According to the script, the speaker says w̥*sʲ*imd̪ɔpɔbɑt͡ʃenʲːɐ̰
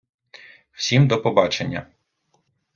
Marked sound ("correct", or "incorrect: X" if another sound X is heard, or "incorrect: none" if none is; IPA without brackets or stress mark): correct